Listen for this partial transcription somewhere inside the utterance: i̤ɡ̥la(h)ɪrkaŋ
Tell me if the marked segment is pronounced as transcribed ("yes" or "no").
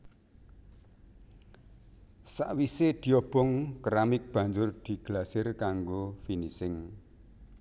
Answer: no